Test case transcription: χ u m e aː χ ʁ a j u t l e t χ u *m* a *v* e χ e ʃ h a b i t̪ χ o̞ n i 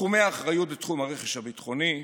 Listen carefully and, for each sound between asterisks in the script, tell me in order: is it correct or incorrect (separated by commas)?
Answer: correct, incorrect